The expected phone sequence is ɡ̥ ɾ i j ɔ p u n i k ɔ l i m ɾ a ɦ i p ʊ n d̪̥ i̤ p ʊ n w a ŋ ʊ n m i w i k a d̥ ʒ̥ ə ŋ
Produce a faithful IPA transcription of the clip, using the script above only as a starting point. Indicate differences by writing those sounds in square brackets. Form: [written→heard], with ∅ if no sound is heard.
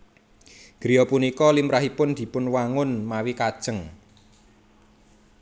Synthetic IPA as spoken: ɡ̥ ɾ i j ɔ p u n i k ɔ l i m ɾ a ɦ i p ʊ n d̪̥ i̤ p ʊ n w a ŋ ʊ n m [i→a] w i k a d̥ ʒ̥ ə ŋ